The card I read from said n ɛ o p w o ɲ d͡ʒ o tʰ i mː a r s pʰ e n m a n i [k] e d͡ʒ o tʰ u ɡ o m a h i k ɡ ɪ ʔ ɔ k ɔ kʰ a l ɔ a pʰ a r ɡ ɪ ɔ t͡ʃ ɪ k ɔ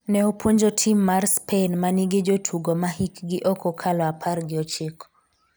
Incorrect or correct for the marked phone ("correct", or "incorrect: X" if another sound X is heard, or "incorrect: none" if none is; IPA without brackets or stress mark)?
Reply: incorrect: ɡ